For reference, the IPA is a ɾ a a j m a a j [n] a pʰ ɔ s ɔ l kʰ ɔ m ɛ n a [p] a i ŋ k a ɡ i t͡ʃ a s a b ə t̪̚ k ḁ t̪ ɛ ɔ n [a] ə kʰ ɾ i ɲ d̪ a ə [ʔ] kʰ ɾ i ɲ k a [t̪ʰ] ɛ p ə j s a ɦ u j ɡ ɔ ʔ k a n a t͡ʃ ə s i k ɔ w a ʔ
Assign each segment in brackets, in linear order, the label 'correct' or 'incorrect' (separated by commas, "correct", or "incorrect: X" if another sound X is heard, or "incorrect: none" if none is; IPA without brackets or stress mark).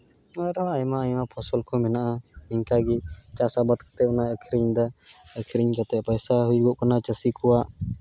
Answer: incorrect: m, incorrect: ʔ, correct, incorrect: none, incorrect: t̪